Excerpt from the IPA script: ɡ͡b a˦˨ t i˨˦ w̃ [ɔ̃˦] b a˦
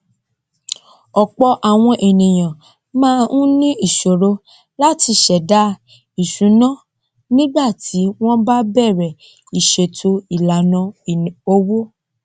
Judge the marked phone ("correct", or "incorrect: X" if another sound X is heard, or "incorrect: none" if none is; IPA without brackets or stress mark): correct